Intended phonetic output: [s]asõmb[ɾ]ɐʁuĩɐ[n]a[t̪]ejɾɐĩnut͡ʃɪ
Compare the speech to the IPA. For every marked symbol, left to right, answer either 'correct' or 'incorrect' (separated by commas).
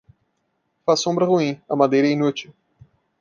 incorrect, correct, incorrect, incorrect